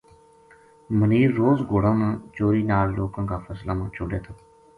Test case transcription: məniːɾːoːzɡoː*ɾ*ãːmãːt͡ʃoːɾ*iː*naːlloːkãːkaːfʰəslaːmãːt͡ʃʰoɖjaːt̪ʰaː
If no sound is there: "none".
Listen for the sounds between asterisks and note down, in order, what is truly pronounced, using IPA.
ɽ, iː

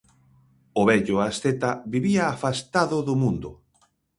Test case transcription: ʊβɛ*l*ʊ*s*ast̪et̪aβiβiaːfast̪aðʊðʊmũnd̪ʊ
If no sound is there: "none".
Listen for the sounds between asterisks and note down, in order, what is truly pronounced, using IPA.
ʎ, none

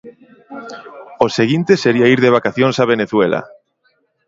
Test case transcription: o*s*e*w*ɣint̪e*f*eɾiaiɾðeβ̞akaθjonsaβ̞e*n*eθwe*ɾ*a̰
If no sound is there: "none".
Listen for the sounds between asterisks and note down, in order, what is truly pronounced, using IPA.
s, none, s, n, l

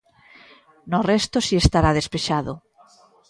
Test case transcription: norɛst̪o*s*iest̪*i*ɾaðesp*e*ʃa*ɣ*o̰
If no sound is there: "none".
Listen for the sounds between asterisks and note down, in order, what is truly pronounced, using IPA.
s, a, e, ð

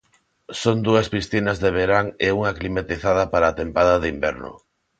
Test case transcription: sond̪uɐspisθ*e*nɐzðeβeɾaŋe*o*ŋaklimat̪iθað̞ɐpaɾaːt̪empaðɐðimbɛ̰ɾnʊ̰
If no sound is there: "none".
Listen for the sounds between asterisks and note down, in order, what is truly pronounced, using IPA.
i, u

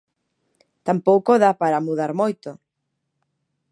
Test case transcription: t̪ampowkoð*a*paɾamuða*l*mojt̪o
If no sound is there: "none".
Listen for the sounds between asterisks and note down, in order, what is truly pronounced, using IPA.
a, ɾ

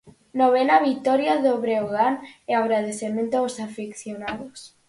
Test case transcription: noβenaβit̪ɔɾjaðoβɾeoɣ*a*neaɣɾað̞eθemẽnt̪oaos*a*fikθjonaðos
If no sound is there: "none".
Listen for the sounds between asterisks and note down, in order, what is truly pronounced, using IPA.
a, a

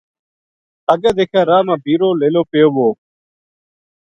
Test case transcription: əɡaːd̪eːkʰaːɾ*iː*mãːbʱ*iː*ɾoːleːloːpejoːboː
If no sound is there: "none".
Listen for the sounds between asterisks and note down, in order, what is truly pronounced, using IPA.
aː, iː

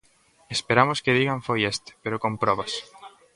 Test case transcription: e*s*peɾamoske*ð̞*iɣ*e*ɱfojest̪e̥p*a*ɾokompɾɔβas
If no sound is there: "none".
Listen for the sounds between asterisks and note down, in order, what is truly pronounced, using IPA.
s, ð̞, a, e

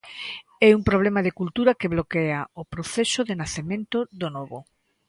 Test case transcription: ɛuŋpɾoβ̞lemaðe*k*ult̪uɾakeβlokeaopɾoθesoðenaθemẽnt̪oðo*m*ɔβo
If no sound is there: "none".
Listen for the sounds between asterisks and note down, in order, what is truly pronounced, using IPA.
k, n

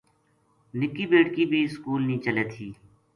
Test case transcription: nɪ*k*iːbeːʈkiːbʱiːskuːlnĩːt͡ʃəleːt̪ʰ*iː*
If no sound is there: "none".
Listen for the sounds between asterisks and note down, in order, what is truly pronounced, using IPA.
k, iː

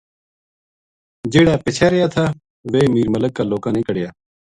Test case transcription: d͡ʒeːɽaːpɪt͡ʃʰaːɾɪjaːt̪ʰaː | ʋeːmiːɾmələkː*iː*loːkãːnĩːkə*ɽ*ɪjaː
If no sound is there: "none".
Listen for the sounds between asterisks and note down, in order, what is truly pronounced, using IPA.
aː, ɽ

